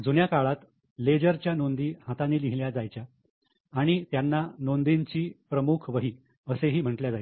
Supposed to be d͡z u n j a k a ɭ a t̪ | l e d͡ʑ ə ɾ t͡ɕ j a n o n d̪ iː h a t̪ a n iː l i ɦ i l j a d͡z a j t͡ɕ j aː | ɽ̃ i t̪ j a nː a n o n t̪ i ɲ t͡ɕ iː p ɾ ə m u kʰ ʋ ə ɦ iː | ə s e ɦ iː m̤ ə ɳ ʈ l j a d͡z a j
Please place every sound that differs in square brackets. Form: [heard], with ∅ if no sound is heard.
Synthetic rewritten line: d͡z u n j a k a ɭ a t̪ | l e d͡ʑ ə ɾ t͡ɕ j a n o n d̪ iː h a t̪ a n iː l i ɦ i l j a d͡z a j t͡ɕ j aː | ɽ̃ i t̪ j a nː a n o n [d̪] i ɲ t͡ɕ iː p ɾ ə m u kʰ ʋ ə ɦ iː | ə s e ɦ iː m̤ ə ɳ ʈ l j a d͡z a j